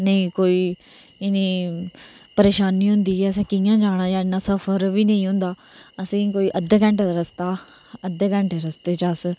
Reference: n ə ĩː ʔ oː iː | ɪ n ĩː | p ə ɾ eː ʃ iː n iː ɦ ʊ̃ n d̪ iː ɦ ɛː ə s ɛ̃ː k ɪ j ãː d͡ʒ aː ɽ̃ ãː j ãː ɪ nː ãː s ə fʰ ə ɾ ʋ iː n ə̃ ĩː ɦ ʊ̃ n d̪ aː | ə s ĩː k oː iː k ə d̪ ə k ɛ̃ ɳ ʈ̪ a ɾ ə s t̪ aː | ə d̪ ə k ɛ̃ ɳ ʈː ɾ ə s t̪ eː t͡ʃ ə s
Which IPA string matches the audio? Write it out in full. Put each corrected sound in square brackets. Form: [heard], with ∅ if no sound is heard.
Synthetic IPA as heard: n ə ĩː [k] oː iː | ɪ n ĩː | p ə ɾ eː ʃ [aː] n iː ɦ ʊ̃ n d̪ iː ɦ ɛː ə s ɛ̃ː k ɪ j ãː d͡ʒ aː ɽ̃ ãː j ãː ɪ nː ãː s ə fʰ ə ɾ ʋ iː n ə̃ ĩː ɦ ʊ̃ n d̪ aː | ə s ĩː k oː iː [ʔ] ə d̪ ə k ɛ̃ ɳ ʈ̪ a ɾ ə s t̪ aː | ə d̪ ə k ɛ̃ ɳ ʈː ɾ ə s t̪ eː t͡ʃ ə s